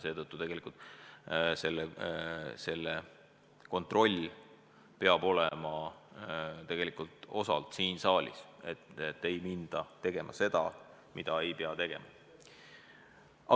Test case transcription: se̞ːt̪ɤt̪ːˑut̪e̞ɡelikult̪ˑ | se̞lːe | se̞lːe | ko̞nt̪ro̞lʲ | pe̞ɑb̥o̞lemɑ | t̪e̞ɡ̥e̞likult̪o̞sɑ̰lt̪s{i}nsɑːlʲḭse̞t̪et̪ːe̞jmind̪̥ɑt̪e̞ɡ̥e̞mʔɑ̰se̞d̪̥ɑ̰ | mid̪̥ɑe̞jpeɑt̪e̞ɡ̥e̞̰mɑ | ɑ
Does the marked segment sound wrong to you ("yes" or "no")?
yes